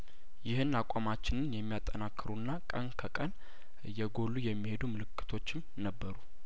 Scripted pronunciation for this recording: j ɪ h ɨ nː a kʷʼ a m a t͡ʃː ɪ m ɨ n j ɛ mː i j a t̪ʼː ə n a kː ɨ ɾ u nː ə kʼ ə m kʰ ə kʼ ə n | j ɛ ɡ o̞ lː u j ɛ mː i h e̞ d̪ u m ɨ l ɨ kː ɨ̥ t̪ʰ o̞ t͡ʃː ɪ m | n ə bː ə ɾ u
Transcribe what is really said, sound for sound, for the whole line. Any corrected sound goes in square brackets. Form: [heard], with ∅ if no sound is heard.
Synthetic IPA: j ɪ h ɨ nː a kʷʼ a m a t͡ʃː ɪ [n] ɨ n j ɛ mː i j a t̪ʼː ə n a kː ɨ ɾ u nː [a] kʼ ə [n] kʰ ə kʼ ə n | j ɛ ɡ o̞ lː u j ɛ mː i h e̞ d̪ u m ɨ l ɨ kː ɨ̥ t̪ʰ o̞ t͡ʃː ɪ m | n ə bː ə ɾ u